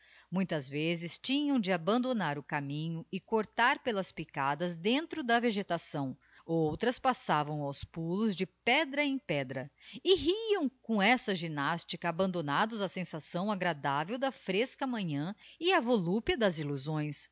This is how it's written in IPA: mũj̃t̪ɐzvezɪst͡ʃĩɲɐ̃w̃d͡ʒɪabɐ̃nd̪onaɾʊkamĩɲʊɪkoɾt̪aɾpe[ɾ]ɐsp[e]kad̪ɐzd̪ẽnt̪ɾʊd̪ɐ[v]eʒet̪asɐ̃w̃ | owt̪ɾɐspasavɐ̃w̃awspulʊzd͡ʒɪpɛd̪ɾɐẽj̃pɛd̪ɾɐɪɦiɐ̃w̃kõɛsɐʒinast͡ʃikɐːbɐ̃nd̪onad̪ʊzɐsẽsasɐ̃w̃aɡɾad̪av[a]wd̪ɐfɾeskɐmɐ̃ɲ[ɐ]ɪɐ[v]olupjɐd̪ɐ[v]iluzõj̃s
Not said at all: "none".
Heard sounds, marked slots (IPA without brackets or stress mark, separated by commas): l, i, v, e, ɐ̃, v, z